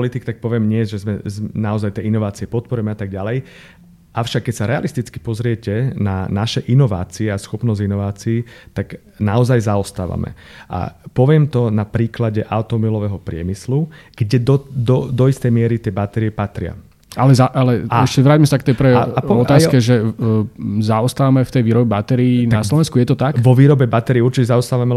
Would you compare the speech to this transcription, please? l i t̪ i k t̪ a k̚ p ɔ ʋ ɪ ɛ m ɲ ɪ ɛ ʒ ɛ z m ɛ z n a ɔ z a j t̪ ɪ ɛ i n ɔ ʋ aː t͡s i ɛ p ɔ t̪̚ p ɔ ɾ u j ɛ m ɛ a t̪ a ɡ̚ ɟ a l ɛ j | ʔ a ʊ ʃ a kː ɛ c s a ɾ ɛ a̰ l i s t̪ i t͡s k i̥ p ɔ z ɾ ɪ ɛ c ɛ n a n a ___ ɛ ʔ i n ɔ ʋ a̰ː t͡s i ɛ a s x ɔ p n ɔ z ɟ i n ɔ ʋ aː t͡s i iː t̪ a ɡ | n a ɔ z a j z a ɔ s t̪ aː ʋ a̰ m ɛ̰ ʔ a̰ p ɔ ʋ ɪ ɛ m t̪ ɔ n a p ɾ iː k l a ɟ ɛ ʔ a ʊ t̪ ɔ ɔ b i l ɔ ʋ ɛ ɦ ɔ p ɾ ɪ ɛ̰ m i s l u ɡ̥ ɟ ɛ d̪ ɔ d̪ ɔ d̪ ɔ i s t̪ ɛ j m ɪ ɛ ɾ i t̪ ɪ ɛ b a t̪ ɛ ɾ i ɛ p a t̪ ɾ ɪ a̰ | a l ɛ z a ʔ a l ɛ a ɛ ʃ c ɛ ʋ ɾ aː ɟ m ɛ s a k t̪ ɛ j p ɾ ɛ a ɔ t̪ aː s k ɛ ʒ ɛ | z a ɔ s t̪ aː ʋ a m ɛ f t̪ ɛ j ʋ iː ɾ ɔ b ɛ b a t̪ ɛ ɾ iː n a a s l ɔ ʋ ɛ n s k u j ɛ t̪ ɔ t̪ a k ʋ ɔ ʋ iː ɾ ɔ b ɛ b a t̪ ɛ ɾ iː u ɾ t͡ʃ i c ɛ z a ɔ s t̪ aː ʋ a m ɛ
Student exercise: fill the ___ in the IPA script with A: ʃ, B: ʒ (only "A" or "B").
A